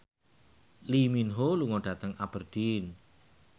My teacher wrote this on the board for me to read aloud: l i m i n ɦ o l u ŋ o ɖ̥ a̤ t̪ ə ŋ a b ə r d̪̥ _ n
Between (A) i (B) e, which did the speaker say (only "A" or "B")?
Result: A